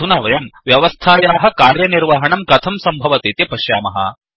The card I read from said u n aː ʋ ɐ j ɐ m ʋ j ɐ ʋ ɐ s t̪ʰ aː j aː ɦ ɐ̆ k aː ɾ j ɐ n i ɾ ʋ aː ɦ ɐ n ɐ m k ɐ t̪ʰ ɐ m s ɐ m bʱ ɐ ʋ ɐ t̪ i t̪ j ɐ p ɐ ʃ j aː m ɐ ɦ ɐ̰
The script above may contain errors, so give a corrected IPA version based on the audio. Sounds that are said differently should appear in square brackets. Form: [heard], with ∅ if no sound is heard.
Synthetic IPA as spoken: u n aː ʋ ɐ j ɐ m ʋ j ɐ ʋ ɐ s t̪ʰ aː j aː ɦ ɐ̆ k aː ɾ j ɐ n i ɾ ʋ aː ɦ ɐ [ɳ] ɐ m k ɐ t̪ʰ ɐ m s ɐ m bʱ ɐ ʋ ɐ t̪ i t̪ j ɐ p ɐ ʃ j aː m ɐ ɦ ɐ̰